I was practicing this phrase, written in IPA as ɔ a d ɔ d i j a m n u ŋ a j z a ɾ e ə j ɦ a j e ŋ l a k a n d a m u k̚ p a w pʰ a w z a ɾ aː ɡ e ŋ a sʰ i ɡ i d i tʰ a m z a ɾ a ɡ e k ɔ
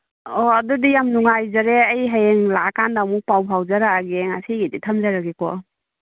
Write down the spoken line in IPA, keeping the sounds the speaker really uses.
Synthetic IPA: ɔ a d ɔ d i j a m n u ŋ a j z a ɾ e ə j ɦ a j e ŋ l a k a n d a m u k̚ p a w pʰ a w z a ɾ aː ɡ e ŋ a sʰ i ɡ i d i tʰ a m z a ɾ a ɡ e k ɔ